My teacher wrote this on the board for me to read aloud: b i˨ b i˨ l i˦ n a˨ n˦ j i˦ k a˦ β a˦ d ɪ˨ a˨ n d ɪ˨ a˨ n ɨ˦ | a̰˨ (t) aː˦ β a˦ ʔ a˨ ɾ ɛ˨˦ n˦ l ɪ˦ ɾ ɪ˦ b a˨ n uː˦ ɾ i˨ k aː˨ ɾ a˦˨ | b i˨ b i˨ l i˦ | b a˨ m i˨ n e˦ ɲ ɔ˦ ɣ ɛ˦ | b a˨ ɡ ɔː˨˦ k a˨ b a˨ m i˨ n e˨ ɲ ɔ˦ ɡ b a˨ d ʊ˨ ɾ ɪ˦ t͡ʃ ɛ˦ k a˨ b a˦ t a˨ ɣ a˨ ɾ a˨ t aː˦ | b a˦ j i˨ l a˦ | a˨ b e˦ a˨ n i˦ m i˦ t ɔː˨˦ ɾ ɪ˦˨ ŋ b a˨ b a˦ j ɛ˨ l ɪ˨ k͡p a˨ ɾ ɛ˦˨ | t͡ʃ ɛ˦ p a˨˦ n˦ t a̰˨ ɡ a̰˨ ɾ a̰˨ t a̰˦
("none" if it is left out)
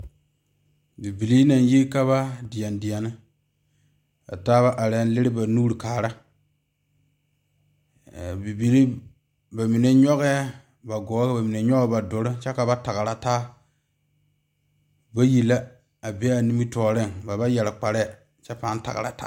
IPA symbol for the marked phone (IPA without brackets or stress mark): t